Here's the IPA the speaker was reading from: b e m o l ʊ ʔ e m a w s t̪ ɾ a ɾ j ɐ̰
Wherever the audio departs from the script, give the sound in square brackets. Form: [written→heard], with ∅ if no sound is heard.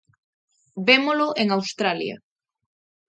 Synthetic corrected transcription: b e m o l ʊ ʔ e [m→ŋ] a w s t̪ ɾ a [ɾ→l] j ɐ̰